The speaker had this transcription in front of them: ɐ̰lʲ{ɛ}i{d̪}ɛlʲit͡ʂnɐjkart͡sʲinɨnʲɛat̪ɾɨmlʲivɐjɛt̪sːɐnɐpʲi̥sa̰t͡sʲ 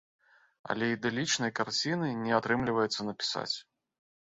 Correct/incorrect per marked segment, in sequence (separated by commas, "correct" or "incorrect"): correct, correct